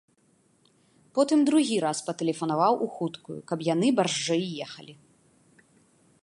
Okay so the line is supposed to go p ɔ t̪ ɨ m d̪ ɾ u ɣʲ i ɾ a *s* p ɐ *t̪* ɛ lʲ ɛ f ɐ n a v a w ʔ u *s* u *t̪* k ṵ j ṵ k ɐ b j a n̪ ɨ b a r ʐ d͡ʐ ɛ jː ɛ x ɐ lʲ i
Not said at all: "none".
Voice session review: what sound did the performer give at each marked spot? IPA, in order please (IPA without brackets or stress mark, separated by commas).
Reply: s, t̪, x, t̪